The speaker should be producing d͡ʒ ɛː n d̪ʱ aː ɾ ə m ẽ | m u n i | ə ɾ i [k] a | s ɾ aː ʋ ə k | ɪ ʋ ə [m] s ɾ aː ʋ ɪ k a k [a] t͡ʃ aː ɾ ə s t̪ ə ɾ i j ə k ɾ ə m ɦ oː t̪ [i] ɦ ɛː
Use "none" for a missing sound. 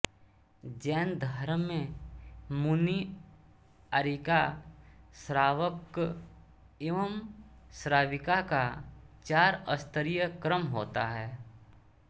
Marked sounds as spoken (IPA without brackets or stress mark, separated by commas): k, m, a, a